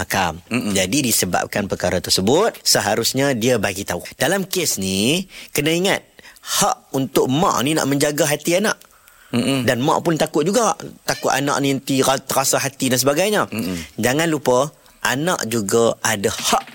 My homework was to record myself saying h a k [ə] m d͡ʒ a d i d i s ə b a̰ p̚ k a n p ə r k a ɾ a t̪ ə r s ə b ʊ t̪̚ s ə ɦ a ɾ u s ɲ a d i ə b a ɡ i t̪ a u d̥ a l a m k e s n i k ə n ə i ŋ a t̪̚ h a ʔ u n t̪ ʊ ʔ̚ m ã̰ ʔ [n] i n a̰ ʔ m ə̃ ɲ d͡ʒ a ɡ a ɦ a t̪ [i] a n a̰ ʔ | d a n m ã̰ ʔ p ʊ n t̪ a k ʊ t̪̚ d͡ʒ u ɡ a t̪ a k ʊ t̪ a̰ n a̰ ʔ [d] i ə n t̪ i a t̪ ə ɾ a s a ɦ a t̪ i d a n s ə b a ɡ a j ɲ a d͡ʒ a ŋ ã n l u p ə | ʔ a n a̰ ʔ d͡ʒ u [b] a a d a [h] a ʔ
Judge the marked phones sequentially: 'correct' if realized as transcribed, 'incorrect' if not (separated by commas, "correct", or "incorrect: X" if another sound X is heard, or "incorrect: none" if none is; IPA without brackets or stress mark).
incorrect: a, correct, correct, incorrect: n, incorrect: ɡ, correct